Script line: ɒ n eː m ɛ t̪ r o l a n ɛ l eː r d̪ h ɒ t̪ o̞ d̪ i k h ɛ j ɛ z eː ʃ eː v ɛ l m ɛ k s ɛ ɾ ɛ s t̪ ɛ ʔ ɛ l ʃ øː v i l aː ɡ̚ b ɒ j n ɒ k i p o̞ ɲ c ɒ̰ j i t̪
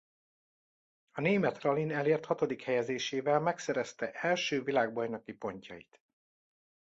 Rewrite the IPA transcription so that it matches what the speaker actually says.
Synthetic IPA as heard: ɒ n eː m ɛ t̪ r ɒ l i n ɛ l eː r t̪ h ɒ t̪ o̞ d̪ i k h ɛ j ɛ z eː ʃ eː v ɛ l m ɛ k s ɛ ɾ ɛ s t̪ ɛ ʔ ɛ l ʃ øː v i l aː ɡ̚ b ɒ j n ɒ k i p o̞ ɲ c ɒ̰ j i t̪